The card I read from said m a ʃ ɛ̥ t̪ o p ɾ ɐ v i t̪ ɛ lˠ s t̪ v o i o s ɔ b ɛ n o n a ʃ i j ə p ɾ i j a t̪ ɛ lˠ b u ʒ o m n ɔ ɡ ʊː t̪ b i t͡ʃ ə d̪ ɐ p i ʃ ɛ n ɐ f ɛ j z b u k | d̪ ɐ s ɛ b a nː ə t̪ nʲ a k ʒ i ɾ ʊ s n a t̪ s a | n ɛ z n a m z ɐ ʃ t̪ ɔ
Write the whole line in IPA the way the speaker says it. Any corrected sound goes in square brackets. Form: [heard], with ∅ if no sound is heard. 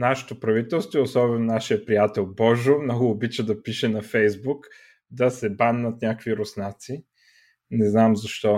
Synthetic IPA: [n] a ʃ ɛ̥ t̪ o p ɾ ɐ v i t̪ ɛ lˠ s t̪ v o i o s ɔ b ɛ n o n a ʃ i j ə p ɾ i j a t̪ ɛ lˠ b [ɔ] ʒ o m n ɔ ɡ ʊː [∅] b i t͡ʃ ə d̪ ɐ p i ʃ ɛ n ɐ f ɛ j z b u k | d̪ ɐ s ɛ b a nː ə t̪ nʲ a k [v] i ɾ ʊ s n a t̪ s [i] | n ɛ z n a m z ɐ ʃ t̪ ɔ